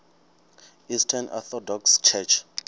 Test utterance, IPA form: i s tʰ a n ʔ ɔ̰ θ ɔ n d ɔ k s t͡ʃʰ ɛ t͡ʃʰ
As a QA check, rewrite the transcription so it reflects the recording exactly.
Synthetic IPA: i s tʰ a n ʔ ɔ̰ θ ɔ d ɔ k s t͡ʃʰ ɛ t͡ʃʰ